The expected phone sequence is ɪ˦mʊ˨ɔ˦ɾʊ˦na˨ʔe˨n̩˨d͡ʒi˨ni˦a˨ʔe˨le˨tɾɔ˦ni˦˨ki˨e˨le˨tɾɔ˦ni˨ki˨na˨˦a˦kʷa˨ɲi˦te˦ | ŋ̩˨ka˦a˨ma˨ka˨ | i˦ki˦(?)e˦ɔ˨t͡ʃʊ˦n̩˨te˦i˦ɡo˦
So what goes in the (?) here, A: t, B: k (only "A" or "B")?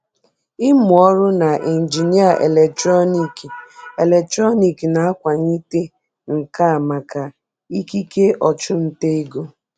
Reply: B